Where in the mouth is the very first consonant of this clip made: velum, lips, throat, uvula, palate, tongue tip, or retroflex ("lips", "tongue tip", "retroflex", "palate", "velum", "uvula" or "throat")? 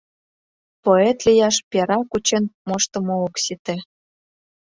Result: lips